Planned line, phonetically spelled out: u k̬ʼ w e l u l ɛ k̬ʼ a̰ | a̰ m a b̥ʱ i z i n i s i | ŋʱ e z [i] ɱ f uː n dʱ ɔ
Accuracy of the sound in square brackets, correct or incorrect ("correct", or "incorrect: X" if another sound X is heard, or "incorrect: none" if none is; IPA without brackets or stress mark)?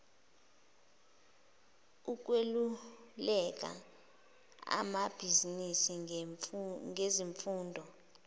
correct